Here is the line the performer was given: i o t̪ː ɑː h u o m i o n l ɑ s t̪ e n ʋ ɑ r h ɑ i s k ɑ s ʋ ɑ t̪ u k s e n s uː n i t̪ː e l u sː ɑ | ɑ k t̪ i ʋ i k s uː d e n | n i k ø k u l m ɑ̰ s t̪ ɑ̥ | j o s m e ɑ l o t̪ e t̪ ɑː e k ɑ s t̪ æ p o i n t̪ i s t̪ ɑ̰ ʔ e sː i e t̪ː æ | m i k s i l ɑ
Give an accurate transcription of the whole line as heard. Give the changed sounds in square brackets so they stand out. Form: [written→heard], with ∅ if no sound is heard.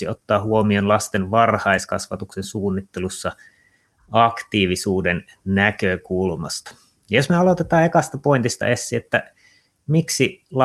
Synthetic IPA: i o t̪ː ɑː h u o m i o n l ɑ s t̪ e n ʋ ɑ r h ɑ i s k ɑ s ʋ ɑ t̪ u k s e n s uː [n→nː] i t̪ː e l u sː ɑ | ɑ k t̪ [i→iː] ʋ i [k→∅] s uː d e n | n [i→æ] k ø k u l m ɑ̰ s t̪ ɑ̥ | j o s m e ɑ l o t̪ e t̪ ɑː e k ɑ s t̪ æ p o i n t̪ i s t̪ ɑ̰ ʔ e sː i e t̪ː æ | m i k s i l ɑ